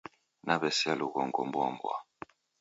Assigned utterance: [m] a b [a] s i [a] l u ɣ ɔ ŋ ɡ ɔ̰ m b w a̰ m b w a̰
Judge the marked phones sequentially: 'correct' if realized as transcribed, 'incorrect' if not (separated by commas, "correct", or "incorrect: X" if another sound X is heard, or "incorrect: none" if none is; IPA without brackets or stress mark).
incorrect: n, incorrect: ɛ, correct